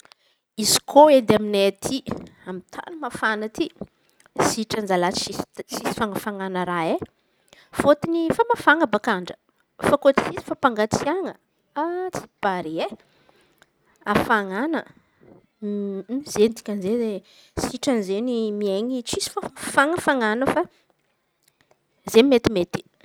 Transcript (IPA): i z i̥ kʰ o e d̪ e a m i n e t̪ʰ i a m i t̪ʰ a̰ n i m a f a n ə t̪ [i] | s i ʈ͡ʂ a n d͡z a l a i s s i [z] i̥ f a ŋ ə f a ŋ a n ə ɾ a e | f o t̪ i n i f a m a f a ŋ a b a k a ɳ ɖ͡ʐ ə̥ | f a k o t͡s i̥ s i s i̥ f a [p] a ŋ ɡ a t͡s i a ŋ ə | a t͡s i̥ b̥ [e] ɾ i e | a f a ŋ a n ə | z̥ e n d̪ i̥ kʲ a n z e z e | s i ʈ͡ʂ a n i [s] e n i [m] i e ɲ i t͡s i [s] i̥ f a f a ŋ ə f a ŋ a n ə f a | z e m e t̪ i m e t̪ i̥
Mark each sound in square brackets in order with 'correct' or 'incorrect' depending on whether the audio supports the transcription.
correct, incorrect, correct, incorrect, incorrect, correct, correct

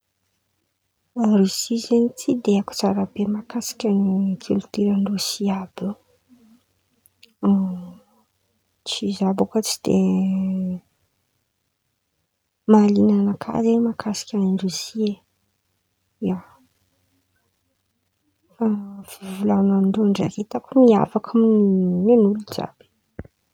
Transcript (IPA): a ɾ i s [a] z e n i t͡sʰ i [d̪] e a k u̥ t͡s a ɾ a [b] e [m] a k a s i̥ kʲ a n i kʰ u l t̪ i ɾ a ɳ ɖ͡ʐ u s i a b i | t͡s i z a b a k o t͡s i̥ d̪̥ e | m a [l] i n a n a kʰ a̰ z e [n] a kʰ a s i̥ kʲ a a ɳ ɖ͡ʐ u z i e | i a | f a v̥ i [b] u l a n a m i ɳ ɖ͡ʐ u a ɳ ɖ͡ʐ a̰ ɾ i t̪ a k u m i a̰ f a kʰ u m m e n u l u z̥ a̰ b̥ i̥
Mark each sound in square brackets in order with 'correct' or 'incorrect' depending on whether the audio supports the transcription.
incorrect, correct, correct, correct, correct, incorrect, incorrect

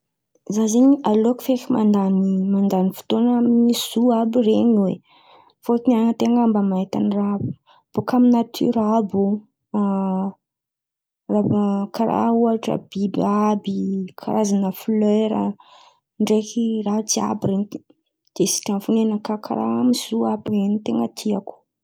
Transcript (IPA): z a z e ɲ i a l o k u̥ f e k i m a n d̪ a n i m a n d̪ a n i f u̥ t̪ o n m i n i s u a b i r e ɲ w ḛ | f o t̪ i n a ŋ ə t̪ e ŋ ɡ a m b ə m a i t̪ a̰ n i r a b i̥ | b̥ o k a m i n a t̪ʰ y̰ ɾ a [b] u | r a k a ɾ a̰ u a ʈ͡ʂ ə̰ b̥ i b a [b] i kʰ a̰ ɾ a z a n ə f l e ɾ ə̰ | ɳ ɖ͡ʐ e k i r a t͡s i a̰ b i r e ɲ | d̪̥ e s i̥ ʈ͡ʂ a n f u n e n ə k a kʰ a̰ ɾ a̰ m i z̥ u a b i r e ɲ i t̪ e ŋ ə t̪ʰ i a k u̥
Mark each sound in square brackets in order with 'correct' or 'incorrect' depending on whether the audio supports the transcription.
correct, correct

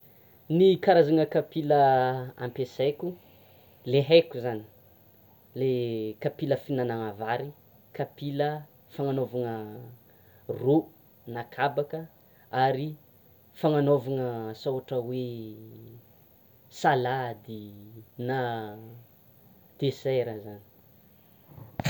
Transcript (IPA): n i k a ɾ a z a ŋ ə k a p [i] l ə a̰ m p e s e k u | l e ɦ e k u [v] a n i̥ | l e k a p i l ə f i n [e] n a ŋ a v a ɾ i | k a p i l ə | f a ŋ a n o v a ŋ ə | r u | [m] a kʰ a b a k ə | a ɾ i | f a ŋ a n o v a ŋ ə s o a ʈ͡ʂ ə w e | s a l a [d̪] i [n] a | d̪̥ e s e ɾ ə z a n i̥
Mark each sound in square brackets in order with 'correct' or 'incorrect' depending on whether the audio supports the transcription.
correct, incorrect, incorrect, incorrect, correct, correct

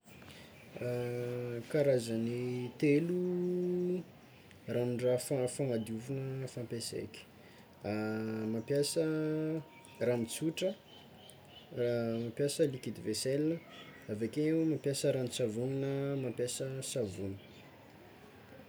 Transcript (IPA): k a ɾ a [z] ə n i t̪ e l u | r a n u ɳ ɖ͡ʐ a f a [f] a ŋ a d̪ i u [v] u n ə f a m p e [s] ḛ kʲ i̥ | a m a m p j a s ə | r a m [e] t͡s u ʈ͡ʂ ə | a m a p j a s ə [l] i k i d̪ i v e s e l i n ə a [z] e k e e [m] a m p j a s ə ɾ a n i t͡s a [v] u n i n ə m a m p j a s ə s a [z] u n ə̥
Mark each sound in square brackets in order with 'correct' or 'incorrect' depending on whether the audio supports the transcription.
correct, correct, correct, correct, incorrect, correct, incorrect, correct, correct, incorrect

